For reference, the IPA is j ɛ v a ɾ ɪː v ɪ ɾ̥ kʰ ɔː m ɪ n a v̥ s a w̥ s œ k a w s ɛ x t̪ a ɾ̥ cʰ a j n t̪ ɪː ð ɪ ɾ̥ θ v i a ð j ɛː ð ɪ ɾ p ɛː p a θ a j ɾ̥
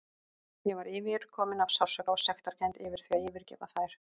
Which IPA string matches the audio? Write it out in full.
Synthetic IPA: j ɛ v a ɾ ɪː v ɪ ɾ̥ kʰ ɔː m ɪ n a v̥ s a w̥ s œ k a w s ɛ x t̪ a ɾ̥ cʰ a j n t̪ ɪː v ɪ ɾ̥ θ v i a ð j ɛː v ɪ ɾ c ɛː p a θ a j ɾ̥

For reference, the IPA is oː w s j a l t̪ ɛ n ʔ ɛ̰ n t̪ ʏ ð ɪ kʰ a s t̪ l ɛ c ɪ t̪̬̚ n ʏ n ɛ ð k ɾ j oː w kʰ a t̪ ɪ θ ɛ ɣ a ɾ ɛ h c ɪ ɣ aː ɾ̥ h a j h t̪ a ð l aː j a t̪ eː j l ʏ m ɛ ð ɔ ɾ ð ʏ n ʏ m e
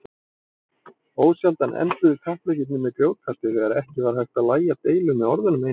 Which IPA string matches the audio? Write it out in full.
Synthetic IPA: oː w s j a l t̪ a n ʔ ɛ̰ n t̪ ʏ ð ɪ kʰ a h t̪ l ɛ c ɪ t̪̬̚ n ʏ m ɛ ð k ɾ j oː w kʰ a t̪ ɪ θ ɛ ɣ a ɾ ɛ h c ɪ v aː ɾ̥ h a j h t̪ a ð l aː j a t̪ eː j l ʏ m ɛ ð ɔ ɾ ð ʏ n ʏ m e

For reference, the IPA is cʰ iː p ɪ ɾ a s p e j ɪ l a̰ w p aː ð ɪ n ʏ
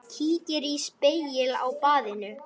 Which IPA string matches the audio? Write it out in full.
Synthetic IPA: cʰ iː c ɪ ɾ i s p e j ɪ l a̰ w p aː ð ɪ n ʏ

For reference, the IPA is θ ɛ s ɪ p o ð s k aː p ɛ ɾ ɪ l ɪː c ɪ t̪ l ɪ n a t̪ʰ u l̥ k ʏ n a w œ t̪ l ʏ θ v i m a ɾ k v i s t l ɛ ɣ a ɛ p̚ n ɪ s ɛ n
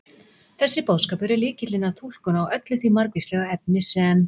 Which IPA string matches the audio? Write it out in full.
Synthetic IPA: θ ɛ sː ɪ p o ð s k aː p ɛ ɾ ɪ l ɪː c ɪ t̪ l ɪ n a t̪ʰ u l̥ k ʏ n a w œ t̪ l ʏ θ v i m a ɾ k v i s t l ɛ ɣ a ɛ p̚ n ɪ s ɛ n

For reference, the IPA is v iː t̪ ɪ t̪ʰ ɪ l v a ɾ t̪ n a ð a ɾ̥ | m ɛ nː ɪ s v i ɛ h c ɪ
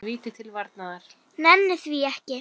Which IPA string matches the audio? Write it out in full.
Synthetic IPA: v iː t̪ ɪ t̪ʰ ɪ l v a ɾ t̪ n a ð a ɾ̥ | n ɛ nː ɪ θ v i ɛ h c ɪ

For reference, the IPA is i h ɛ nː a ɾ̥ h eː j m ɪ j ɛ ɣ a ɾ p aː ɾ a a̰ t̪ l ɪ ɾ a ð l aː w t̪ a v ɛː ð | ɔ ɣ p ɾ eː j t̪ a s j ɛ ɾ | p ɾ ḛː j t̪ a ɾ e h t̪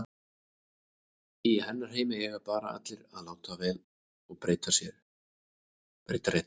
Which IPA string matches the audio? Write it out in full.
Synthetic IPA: i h ɛ nː a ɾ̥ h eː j m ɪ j ɛ ɣ a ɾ p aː ɾ a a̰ t̪ l ɪ ɾ a ð l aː w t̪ a v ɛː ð | ɔ ɣ p ɾ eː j t̪ a s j ɛ ɾ | p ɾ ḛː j t̪ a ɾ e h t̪

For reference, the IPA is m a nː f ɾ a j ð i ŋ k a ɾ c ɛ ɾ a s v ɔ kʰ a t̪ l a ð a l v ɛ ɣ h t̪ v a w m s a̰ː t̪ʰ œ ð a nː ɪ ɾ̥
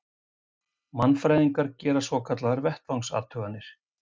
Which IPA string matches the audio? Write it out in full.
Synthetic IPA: m a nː f ɾ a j ð i ŋ k a ɾ c ɛː ɾ a s v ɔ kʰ a t̪ l a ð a ɾ v ɛ h t̪ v a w ŋ s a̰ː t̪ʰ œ ɣ a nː ɪ ɾ̥

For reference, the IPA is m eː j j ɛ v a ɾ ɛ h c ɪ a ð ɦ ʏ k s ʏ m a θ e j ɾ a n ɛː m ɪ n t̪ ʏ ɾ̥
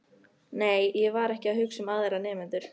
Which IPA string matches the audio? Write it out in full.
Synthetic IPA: n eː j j ɛ v a ɾ ɛ h c ɪ a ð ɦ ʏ k s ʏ m a ð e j ɾ a n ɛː m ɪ n t̪ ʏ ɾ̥

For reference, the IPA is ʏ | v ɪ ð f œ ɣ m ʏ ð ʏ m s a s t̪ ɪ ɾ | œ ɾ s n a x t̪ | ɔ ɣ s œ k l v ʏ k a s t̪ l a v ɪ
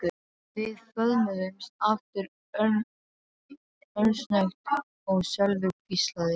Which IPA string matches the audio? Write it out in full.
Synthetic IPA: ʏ | v ɪ ð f œ ð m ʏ ð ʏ m s a f t̪ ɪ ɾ | œ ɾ s n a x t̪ | ɔ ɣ s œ l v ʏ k i s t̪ l a ð ɪ

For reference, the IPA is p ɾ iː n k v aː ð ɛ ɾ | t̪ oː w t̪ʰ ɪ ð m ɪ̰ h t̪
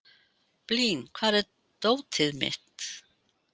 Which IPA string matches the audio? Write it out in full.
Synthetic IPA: p l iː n kʰ v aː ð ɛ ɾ | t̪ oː w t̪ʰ ɪ ð m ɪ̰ h t̪

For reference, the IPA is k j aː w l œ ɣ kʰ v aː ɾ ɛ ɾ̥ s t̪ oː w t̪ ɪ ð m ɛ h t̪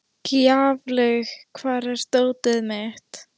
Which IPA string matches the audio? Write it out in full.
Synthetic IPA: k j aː v l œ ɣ kʰ v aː ɾ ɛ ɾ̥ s t̪ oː w t̪ ɪ ð m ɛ h t̪

